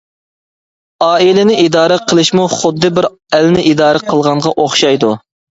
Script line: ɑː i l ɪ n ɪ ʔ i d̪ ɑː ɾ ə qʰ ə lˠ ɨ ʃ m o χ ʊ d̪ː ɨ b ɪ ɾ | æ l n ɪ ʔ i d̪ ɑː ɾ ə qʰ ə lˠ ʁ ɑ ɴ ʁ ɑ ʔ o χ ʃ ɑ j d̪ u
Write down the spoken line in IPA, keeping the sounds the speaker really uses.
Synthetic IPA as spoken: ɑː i l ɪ n ɪ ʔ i d̪ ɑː ɾ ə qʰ ə lˠ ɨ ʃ m u χ ʊ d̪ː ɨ b ɪ ɾ | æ l n ɪ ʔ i d̪ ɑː ɾ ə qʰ ə lˠ ʁ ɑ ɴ ʁ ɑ ʔ o χ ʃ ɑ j d̪ u